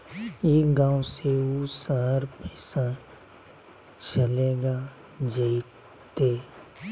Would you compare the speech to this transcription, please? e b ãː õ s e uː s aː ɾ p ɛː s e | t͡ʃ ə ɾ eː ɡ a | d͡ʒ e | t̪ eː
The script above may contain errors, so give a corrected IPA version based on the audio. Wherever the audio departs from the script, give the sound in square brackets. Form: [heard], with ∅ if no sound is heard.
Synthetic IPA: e [ɡ] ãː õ s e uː s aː ɾ p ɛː s [a] | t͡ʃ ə [l] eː ɡ a | d͡ʒ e | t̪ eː